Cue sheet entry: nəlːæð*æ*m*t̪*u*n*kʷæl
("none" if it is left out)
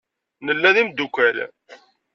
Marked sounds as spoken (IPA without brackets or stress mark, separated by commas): i, d̪, none